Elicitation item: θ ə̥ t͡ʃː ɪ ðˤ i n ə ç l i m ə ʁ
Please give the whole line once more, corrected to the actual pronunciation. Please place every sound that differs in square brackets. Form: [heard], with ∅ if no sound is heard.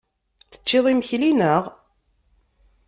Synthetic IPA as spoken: θ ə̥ t͡ʃː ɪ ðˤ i [m] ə ç l i [n] ə ʁ